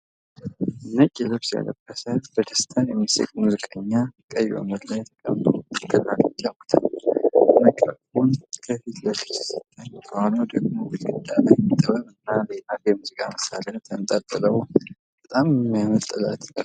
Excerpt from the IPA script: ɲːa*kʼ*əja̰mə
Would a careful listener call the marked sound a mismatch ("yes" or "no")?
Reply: no